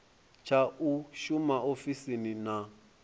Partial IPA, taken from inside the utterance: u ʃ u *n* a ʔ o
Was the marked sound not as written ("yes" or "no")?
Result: yes